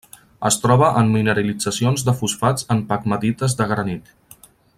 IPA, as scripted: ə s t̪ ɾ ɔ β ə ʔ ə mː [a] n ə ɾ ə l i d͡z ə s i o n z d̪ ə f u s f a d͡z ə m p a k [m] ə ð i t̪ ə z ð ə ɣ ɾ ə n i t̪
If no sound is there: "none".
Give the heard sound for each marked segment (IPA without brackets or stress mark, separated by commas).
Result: i, m